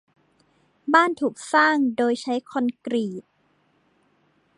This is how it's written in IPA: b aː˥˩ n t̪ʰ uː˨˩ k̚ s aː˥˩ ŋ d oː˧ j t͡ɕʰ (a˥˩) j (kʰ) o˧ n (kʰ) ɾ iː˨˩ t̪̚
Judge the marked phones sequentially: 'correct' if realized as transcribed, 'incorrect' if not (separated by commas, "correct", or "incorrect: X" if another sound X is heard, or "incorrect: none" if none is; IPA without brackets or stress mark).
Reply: incorrect: a˦˥, correct, incorrect: k